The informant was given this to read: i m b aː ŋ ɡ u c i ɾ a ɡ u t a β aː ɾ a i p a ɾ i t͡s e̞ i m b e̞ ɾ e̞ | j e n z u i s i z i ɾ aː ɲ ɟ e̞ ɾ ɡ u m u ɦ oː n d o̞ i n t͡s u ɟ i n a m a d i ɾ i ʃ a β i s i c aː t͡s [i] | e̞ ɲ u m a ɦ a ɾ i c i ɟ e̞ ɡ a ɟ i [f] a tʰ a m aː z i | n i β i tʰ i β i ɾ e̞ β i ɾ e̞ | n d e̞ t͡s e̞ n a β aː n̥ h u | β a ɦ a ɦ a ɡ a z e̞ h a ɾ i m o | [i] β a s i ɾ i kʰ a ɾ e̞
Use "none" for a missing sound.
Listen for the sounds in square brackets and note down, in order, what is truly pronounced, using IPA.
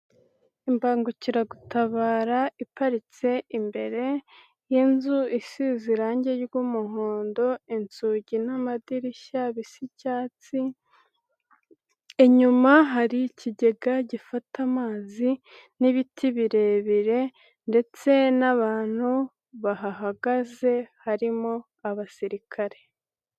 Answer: i, f, a

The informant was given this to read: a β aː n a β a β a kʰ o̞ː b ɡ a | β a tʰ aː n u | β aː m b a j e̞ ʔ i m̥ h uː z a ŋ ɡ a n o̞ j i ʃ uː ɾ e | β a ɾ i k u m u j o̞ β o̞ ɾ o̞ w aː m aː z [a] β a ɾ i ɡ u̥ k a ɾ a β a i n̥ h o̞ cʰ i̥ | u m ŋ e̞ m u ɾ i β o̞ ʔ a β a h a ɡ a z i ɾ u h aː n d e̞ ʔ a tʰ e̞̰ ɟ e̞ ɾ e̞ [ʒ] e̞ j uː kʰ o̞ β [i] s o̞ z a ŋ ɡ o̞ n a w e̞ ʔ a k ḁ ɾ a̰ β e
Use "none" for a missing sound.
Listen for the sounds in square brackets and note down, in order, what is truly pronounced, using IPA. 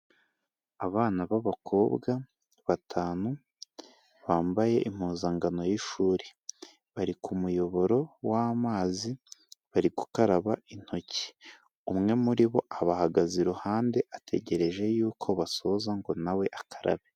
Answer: i, ʒ, a

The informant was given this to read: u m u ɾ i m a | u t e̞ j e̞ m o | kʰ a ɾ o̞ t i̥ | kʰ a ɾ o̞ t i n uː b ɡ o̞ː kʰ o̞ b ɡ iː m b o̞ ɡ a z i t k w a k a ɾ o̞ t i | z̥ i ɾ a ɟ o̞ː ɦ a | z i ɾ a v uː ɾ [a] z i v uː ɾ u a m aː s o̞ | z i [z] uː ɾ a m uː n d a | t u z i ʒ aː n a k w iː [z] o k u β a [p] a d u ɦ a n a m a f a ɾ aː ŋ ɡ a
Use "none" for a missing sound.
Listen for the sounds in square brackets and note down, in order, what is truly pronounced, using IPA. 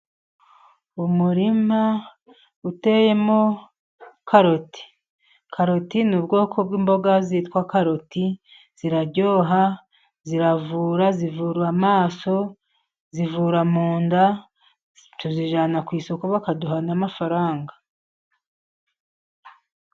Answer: a, v, s, k

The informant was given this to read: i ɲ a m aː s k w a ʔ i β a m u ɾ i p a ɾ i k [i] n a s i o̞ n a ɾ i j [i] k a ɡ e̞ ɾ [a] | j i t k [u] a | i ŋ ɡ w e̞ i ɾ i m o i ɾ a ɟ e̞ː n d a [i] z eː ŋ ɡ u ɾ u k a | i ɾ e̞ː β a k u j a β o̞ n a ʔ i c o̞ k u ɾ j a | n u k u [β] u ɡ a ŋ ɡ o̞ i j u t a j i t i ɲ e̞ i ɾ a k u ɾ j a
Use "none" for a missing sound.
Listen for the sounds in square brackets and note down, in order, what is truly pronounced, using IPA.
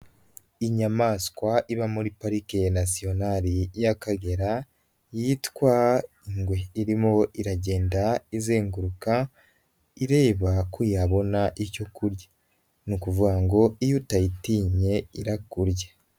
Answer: e, a, a, w, i, v

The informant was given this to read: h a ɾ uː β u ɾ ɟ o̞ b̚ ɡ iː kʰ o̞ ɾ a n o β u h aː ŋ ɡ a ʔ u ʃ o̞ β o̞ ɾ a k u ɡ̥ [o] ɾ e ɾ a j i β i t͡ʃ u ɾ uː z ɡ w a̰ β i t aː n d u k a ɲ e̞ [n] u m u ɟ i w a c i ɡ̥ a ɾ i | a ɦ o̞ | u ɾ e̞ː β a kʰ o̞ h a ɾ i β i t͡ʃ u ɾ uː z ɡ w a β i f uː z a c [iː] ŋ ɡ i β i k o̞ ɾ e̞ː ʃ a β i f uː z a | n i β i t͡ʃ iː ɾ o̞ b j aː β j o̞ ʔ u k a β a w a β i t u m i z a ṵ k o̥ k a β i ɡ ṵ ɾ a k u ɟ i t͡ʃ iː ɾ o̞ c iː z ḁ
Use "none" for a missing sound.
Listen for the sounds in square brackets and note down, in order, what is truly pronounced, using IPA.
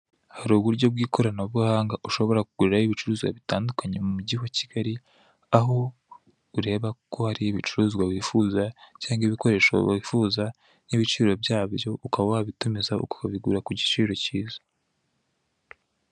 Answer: u, m, aː

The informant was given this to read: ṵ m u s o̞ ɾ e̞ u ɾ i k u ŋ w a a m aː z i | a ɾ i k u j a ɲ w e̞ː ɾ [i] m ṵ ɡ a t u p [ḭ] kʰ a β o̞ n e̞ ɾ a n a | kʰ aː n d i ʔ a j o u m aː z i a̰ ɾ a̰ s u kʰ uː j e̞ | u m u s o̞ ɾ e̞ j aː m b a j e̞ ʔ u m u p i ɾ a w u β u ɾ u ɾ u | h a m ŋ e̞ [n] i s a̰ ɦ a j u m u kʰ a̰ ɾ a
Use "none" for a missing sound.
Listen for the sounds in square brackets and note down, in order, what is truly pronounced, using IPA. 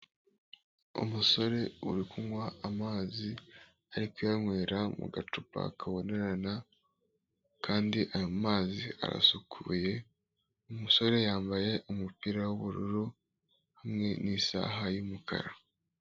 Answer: a, a̰, n

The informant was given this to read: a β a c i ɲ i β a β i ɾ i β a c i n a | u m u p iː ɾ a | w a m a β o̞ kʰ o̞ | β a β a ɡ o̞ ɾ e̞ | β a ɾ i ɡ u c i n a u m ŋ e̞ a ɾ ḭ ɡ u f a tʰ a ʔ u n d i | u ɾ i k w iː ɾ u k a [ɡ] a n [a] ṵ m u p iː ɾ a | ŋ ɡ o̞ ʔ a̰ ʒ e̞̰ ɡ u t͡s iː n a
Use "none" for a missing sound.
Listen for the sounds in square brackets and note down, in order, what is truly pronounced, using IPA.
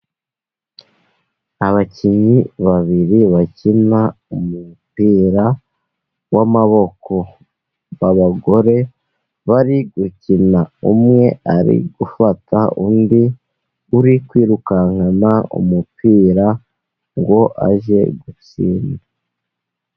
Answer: ŋ, a

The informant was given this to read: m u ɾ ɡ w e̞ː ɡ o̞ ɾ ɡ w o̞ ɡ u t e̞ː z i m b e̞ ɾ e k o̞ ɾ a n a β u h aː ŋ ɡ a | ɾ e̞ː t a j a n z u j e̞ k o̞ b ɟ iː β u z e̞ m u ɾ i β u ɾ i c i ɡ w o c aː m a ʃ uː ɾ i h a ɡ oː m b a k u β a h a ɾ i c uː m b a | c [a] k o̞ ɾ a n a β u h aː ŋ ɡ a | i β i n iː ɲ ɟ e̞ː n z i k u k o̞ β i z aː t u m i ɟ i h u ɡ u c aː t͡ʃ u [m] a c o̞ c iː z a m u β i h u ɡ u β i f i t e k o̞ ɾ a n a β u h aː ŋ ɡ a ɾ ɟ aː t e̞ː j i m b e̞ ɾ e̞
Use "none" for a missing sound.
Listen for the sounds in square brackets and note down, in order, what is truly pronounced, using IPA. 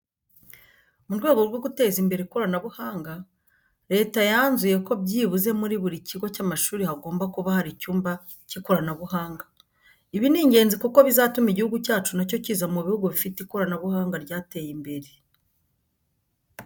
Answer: i, n

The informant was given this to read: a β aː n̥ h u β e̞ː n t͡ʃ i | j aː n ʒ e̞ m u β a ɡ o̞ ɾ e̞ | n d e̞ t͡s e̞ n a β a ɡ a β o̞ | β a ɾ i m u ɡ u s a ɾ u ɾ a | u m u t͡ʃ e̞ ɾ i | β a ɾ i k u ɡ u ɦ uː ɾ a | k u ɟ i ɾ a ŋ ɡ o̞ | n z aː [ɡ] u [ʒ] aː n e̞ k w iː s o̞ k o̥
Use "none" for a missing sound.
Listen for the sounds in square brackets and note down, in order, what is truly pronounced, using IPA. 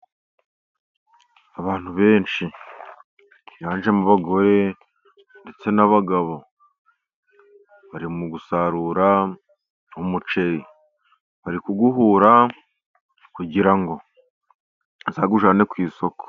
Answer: ɡ, ʒ

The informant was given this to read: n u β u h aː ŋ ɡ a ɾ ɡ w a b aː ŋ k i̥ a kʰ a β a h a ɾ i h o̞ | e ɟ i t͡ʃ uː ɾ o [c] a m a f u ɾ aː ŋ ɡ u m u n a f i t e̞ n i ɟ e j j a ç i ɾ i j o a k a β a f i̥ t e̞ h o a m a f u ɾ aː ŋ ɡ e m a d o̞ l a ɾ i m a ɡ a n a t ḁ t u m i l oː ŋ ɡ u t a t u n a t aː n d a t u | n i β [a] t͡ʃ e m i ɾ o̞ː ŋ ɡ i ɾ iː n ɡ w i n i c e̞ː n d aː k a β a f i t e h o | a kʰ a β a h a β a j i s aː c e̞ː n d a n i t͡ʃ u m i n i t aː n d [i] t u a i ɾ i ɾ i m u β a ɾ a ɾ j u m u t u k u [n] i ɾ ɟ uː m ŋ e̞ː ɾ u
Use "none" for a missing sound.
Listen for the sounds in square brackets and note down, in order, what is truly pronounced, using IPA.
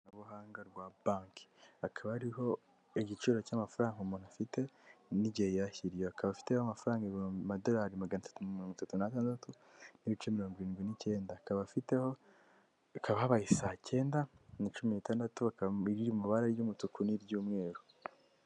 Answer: c, i, a, n

